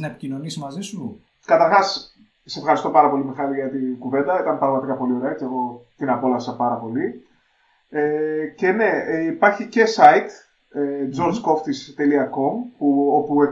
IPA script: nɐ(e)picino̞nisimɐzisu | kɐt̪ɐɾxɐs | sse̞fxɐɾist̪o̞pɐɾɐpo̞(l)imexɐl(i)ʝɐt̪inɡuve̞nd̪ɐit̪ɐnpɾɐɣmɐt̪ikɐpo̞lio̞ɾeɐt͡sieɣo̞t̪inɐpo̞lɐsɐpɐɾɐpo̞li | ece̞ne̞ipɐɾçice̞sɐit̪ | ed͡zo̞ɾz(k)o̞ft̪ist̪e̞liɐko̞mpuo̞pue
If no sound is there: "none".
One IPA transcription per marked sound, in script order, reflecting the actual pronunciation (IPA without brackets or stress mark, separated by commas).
e, l, i, k